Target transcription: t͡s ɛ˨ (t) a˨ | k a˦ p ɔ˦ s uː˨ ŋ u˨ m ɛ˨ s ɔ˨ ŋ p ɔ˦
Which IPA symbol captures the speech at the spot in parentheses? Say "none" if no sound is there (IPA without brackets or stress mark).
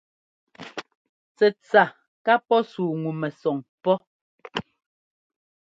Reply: t͡s